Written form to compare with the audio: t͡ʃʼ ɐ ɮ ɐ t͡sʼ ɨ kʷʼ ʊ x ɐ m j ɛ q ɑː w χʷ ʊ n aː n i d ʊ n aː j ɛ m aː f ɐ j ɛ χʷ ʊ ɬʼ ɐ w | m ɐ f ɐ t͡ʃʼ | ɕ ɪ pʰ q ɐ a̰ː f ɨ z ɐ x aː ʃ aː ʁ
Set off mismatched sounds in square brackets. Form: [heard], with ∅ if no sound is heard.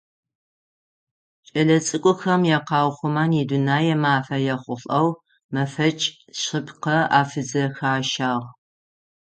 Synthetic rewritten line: t͡ʃʼ ɐ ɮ ɐ t͡sʼ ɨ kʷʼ ʊ x ɐ m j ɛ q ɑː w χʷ ʊ [m] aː n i d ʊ n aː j ɛ m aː f ɐ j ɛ χʷ ʊ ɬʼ ɐ w | m ɐ f ɐ t͡ʃʼ | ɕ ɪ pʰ q ɐ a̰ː f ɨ z ɐ x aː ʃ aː ʁ